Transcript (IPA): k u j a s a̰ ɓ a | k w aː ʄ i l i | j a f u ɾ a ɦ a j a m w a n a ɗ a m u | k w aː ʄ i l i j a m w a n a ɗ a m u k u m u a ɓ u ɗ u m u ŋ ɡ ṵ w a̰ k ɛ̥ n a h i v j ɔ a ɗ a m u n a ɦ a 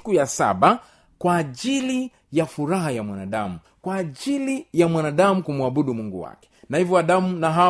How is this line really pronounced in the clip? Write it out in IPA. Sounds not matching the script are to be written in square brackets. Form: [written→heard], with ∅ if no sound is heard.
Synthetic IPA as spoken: k u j a s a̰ ɓ a | k w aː ʄ i l i | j a f u ɾ a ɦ a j a m w a n a ɗ a m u | k w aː ʄ i l i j a m w a n a ɗ a m u k u m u a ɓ u ɗ u m u ŋ ɡ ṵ w a̰ k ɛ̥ n a h i v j ɔ a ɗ a m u n a ɦ a